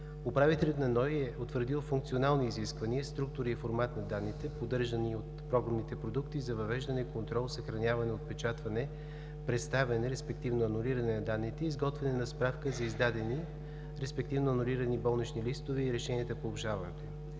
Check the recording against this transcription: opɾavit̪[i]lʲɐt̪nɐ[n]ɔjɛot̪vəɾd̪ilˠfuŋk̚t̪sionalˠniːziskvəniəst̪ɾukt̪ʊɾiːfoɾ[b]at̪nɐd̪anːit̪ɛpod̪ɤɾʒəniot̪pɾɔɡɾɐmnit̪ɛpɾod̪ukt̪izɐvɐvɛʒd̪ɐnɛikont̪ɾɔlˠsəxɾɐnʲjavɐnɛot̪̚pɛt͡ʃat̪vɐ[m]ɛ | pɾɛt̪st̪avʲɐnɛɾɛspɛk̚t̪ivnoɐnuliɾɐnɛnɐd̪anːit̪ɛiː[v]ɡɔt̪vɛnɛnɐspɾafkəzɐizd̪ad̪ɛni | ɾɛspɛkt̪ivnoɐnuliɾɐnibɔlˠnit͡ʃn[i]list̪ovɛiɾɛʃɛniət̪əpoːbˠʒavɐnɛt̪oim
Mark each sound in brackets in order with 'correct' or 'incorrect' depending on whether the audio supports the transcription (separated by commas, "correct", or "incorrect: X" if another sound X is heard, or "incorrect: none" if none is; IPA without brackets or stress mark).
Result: incorrect: ɛ, correct, incorrect: m, incorrect: n, incorrect: z, correct